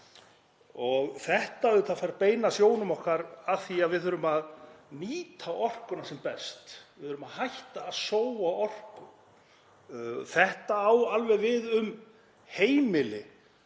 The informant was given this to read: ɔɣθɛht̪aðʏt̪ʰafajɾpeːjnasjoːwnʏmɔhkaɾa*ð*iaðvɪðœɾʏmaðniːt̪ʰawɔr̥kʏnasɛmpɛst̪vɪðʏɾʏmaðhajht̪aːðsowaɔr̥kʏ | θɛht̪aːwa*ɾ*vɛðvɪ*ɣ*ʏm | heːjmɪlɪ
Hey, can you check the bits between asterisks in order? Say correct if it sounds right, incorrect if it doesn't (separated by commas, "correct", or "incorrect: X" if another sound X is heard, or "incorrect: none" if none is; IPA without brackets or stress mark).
incorrect: θ, incorrect: l, incorrect: ð